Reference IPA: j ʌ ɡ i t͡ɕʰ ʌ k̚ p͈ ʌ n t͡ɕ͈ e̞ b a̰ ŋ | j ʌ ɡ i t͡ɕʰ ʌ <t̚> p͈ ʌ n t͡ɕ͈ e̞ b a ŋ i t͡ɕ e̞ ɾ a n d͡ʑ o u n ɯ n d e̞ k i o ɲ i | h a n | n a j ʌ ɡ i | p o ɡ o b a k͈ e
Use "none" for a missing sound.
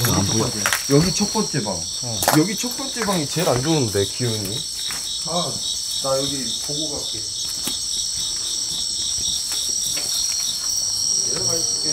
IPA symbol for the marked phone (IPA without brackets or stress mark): k̚